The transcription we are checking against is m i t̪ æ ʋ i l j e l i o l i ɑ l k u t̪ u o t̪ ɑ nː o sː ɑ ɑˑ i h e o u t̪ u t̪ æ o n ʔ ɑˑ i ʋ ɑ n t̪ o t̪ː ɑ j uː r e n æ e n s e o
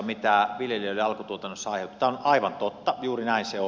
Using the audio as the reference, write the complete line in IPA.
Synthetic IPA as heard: m i t̪ æ ʋ i l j e l i o l i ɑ l k u t̪ u o t̪ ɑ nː o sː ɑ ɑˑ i h e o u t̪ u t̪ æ o n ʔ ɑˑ i ʋ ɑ n t̪ o t̪ː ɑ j uː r i n æ i n s e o